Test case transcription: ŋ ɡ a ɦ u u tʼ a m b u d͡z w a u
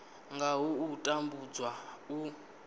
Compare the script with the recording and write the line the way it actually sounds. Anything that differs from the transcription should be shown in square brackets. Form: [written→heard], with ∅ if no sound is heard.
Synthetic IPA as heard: ŋ ɡ a ɦ u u tʼ a m b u d͡z w a u